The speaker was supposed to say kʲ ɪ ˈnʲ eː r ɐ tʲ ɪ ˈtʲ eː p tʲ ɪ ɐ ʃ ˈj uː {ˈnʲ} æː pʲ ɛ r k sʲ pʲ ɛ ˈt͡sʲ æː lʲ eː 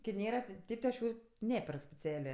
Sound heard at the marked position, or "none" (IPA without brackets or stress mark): nʲ